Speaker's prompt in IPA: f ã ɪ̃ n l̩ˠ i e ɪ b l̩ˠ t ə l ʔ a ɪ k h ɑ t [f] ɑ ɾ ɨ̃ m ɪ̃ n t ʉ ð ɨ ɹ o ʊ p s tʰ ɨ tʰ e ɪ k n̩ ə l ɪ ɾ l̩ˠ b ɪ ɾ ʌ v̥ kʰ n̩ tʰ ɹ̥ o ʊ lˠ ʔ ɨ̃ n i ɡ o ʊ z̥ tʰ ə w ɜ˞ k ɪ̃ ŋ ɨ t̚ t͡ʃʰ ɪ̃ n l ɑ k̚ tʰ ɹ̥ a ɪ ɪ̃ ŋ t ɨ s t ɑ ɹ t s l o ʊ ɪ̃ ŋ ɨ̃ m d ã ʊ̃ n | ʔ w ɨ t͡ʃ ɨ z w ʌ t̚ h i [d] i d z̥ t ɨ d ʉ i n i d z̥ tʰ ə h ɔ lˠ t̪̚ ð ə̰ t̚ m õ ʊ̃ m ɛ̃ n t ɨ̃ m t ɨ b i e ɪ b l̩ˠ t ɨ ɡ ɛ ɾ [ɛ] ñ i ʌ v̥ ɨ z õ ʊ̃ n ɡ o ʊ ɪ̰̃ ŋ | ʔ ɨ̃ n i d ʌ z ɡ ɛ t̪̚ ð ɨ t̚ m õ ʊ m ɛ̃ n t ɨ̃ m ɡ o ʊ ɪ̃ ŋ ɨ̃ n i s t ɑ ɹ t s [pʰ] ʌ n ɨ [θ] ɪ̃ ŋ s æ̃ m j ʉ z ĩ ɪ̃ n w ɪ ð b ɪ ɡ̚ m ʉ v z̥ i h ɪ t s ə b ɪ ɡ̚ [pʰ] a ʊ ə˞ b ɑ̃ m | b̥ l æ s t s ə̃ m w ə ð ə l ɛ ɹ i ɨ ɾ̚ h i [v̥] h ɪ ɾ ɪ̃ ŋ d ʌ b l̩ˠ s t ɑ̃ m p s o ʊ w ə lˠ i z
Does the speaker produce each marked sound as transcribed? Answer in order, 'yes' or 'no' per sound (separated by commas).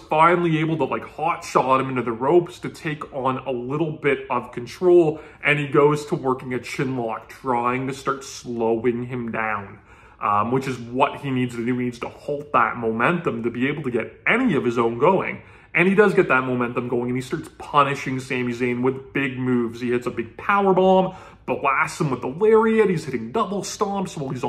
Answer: no, no, yes, yes, no, yes, no